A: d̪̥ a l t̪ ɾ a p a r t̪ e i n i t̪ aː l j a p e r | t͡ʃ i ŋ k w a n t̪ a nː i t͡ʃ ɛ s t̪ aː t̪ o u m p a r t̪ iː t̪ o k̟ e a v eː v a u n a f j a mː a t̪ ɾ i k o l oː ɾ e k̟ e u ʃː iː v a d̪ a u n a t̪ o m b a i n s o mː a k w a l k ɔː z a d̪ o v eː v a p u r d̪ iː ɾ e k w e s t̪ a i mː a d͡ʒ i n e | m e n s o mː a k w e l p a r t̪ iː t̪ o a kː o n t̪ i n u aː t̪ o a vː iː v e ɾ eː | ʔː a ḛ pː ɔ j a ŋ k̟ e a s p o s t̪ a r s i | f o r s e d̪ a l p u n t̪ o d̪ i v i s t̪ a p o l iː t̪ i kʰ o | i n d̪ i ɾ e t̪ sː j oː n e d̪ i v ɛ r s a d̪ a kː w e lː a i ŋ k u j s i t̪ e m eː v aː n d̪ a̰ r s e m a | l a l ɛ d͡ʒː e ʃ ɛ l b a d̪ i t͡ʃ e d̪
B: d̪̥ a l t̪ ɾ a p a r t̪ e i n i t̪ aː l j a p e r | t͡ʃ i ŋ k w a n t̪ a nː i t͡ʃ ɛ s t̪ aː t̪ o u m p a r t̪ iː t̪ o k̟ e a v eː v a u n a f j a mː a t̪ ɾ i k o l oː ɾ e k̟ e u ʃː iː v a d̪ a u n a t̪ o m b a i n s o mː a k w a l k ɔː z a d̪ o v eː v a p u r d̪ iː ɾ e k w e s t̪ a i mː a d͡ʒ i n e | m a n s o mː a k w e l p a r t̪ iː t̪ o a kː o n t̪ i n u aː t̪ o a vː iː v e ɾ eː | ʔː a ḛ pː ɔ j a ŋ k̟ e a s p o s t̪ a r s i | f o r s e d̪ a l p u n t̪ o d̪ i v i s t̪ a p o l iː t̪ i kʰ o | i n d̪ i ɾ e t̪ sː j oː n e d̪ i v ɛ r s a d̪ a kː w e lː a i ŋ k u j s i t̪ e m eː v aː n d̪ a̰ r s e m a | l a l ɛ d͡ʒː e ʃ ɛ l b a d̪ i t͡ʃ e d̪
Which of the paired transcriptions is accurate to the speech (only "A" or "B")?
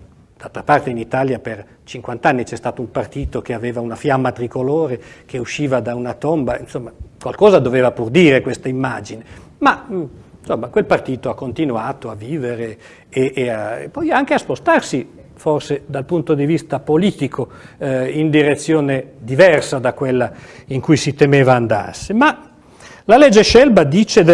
B